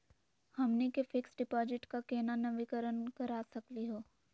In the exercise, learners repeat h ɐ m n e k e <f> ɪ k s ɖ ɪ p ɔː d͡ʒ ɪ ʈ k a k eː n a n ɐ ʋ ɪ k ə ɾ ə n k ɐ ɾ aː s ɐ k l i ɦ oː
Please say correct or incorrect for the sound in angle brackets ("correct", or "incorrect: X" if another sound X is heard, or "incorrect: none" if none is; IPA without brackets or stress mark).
correct